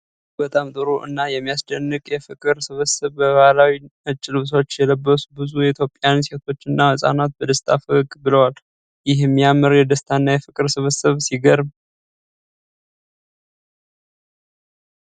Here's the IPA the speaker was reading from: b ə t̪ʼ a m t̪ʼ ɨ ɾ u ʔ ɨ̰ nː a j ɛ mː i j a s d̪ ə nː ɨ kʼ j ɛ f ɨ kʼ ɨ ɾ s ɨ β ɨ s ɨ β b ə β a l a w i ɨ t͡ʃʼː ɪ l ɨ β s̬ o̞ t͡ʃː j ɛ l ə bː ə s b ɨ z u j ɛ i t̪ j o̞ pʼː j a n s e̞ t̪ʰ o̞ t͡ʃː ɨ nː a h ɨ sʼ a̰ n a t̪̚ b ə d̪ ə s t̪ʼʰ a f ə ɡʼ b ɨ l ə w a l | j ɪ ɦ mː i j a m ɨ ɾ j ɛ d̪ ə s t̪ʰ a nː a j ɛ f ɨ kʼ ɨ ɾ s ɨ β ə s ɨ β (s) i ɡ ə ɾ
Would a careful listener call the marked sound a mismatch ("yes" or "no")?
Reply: no